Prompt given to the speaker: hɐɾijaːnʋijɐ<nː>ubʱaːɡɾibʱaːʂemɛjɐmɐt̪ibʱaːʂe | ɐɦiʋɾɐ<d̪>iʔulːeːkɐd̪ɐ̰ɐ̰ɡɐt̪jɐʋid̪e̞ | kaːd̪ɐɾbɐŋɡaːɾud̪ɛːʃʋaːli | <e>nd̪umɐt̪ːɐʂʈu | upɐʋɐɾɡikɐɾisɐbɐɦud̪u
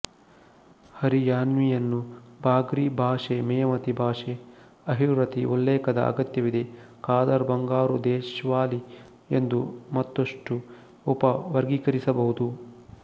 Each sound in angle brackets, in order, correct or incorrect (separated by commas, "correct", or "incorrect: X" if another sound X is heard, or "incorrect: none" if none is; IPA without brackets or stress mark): correct, incorrect: t̪, correct